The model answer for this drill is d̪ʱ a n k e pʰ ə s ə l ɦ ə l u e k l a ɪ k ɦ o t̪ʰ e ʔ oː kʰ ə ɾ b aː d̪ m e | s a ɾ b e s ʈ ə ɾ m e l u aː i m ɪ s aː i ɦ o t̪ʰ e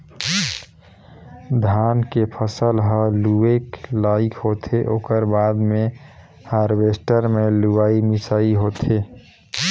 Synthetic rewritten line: d̪ʱ a n k e pʰ ə s ə l ɦ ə l u e k l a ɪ k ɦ o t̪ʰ e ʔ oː k ə ɾ b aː d̪ m e | h a ɾ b e s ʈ ə ɾ m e l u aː i m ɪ s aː i ɦ o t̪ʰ e